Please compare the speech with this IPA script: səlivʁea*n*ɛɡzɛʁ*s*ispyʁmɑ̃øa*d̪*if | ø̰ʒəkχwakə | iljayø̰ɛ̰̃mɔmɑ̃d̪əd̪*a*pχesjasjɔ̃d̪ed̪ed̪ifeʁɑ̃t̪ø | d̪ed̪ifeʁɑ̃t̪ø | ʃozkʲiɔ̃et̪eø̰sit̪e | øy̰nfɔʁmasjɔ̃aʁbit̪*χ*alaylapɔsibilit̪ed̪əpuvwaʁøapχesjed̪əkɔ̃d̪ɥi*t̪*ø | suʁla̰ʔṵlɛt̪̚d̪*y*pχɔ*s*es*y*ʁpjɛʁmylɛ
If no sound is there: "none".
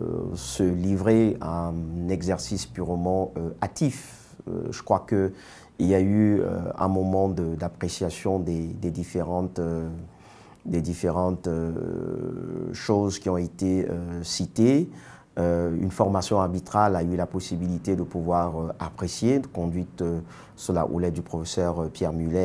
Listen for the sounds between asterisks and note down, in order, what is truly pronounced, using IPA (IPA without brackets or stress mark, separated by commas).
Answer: n, s, t̪, a, χ, t̪, y, f, œ